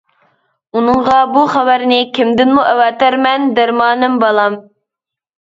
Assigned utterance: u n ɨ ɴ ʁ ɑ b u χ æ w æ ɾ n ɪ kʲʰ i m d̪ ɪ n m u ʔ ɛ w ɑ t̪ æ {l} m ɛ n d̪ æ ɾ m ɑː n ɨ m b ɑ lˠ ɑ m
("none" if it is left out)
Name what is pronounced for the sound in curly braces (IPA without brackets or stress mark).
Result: ɾ